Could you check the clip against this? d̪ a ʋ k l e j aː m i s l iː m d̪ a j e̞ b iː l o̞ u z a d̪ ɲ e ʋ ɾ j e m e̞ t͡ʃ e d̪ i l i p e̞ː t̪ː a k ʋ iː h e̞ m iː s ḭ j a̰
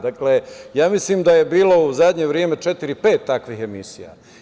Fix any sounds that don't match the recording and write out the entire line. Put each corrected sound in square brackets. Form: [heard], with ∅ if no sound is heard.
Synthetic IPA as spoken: d̪ a [∅] k l e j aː m i s l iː m d̪ a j e̞ b iː l o̞ u z a d̪ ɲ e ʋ ɾ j e m e̞ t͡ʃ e [t̪] i [ɾ] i p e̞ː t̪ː a k ʋ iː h e̞ m [i] s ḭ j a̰